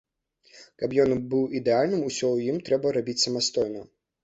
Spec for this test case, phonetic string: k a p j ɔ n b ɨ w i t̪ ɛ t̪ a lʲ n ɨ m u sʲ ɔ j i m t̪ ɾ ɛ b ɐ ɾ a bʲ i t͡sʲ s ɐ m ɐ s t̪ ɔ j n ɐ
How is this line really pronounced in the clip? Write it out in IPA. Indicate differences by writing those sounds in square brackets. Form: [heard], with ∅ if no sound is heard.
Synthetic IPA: k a p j ɔ n b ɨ w i [d̪] ɛ [∅] a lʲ n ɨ m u sʲ ɔ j i m t̪ ɾ ɛ b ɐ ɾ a bʲ i t͡sʲ s ɐ m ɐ s t̪ ɔ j n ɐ